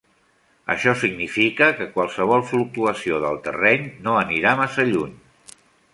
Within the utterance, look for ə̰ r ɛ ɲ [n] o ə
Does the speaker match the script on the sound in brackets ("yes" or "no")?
yes